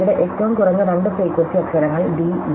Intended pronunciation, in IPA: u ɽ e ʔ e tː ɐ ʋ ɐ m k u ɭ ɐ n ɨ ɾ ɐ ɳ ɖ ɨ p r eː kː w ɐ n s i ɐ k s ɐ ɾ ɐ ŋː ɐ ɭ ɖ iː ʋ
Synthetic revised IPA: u ɽ e ʔ e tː ɐ ʋ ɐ m k u r ɐ nː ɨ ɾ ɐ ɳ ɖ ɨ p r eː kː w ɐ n s i ɐ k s ɐ ɾ ɐ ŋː ɐ ɭ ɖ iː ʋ